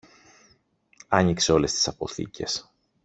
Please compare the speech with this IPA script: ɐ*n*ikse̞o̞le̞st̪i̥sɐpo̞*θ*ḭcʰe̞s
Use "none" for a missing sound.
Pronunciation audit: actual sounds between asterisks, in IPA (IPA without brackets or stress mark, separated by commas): ɲ, θ